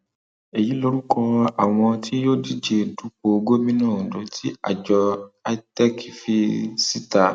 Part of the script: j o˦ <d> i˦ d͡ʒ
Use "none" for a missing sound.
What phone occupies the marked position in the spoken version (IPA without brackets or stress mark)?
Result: d